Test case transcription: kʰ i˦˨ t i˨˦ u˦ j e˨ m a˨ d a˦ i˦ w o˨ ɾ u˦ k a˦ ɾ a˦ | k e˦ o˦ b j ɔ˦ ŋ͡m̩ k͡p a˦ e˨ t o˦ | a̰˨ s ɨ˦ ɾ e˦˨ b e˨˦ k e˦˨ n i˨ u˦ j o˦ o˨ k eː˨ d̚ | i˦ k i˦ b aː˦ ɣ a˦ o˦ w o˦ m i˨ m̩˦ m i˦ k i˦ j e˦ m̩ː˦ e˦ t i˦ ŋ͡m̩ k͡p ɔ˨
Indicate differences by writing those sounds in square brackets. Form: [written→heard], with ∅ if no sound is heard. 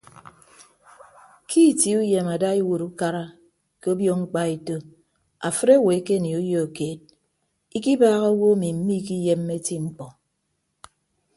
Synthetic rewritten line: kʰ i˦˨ t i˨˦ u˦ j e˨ m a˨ d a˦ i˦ w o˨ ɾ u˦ k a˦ ɾ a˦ | k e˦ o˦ b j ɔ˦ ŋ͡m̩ k͡p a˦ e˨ t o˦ | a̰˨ [s→f] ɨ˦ ɾ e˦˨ [b→w] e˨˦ k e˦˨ n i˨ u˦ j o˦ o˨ k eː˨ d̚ | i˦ k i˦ b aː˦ ɣ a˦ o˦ w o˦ m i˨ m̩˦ m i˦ k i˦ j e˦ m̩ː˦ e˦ t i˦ ŋ͡m̩ k͡p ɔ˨